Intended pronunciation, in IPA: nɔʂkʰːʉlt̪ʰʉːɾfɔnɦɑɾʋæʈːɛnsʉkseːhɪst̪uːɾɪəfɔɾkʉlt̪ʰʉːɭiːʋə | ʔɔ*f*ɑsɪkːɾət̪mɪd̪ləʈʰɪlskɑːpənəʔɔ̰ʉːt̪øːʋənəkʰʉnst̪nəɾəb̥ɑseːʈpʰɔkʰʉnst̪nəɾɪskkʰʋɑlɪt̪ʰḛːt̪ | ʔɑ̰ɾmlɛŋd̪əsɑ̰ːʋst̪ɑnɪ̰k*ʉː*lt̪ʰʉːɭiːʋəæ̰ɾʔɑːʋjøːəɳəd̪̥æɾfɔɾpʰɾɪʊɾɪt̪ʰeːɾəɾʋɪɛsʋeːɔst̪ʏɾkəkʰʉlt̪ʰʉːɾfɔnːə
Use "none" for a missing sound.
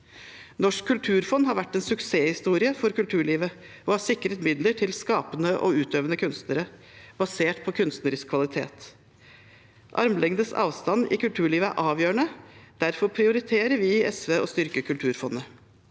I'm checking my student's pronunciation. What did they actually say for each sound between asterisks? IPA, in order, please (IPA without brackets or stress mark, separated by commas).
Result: h, ʉ